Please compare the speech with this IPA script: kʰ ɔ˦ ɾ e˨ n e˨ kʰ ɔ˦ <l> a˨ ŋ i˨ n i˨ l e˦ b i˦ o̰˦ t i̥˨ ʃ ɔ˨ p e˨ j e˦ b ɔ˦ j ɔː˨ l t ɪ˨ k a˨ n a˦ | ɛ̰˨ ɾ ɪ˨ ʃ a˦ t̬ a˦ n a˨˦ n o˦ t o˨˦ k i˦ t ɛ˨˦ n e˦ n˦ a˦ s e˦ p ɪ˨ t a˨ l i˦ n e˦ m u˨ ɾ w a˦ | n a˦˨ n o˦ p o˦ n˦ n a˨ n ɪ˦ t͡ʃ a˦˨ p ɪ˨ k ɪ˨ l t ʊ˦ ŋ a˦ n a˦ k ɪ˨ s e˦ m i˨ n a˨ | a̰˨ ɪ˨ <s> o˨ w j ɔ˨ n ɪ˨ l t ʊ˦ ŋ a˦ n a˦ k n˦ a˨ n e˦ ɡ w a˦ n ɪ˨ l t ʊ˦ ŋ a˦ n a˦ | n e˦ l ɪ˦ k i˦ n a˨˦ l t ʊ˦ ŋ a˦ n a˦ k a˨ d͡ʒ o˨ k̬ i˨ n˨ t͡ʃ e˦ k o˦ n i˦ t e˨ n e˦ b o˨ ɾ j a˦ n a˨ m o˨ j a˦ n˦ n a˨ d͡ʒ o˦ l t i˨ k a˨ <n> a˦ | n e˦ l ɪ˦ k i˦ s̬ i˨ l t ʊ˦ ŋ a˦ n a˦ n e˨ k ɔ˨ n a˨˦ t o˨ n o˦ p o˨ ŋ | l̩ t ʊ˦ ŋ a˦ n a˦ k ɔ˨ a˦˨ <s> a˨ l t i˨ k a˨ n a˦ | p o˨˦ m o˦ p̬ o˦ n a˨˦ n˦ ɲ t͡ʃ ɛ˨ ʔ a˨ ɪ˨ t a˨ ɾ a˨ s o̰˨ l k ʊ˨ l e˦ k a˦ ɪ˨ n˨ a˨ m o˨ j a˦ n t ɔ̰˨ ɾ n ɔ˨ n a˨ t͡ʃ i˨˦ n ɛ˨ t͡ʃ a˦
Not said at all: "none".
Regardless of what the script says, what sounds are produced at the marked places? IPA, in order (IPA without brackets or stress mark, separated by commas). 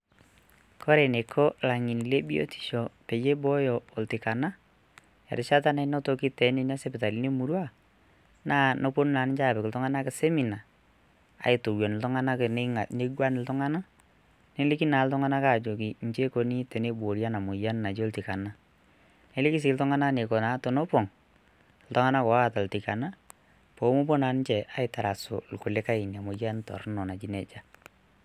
l, t, n, t